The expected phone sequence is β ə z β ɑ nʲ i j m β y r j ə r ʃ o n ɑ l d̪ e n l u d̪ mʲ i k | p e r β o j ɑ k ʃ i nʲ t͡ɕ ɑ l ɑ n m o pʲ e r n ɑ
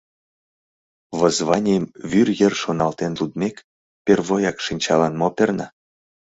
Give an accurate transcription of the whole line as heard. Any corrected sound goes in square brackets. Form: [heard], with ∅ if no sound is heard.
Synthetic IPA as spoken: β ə z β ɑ nʲ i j m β y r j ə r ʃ o n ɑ l [t̪] e n l u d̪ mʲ [e] k | p e r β o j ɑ k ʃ i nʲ t͡ɕ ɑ l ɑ n m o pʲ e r n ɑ